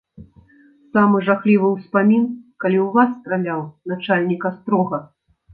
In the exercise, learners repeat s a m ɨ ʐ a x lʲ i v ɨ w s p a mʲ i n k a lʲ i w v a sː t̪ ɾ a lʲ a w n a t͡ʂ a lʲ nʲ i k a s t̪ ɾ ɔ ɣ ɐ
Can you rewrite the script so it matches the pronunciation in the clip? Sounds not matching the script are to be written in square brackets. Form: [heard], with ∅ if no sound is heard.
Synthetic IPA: s a m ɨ ʐ a x lʲ i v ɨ w s p a mʲ i n k a lʲ i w v a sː t̪ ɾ a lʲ a w n a t͡ʂ a lʲ nʲ i k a s t̪ ɾ ɔ ɣ ɐ

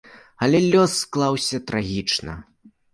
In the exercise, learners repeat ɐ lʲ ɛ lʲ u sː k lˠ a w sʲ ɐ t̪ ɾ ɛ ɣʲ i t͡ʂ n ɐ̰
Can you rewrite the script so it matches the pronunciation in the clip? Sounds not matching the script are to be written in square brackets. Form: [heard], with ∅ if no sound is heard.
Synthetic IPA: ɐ lʲ ɛ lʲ [ɔ] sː k lˠ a w sʲ ɐ t̪ ɾ [a] ɣʲ i t͡ʂ n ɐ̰

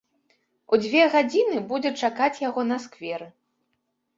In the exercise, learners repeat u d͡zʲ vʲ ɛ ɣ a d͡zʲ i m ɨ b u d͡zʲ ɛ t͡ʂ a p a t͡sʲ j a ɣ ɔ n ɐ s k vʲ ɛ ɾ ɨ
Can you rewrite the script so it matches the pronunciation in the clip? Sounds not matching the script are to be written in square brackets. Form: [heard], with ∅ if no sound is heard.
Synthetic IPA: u d͡zʲ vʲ ɛ ɣ a d͡zʲ i [n] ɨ b u d͡zʲ ɛ t͡ʂ a [k] a t͡sʲ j a ɣ ɔ n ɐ s k vʲ ɛ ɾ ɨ

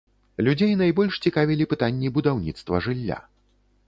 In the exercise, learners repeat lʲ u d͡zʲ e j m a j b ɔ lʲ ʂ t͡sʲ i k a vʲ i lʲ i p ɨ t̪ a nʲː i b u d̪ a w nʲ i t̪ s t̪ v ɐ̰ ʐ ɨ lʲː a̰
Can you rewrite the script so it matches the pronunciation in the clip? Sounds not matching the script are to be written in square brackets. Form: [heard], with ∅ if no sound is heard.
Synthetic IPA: lʲ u d͡zʲ e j [n] a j b ɔ lʲ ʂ t͡sʲ i k a vʲ i lʲ i p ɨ t̪ a nʲː i b u d̪ a w nʲ i t̪ s t̪ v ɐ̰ ʐ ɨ lʲː a̰

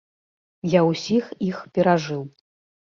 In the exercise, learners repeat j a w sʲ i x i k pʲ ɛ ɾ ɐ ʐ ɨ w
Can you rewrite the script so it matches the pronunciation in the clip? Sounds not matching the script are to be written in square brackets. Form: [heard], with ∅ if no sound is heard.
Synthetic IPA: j a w sʲ i x i [x] pʲ ɛ ɾ [a] ʐ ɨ w

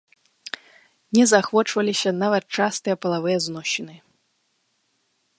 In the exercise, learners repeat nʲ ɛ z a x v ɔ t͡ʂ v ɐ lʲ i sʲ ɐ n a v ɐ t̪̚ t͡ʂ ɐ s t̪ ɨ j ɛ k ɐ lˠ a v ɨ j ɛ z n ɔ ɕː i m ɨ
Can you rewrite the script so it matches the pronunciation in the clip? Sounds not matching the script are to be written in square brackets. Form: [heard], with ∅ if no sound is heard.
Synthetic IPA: nʲ ɛ z a x v ɔ t͡ʂ v ɐ lʲ i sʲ ɐ n a v ɐ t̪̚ t͡ʂ [a] s t̪ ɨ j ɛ [p] ɐ lˠ a v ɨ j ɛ z n ɔ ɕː i [n] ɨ

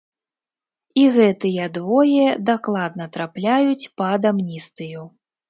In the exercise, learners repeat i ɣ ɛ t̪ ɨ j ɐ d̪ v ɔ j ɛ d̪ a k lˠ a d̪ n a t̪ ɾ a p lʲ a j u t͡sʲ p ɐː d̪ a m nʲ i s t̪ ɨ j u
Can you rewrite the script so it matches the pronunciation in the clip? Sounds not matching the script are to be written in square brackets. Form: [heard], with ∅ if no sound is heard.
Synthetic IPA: i ɣ ɛ t̪ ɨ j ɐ d̪ v ɔ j ɛ d̪ a k lˠ a d̪ n [ɐ] t̪ ɾ a p lʲ a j u t͡sʲ p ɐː d̪ a m nʲ i s t̪ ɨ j u

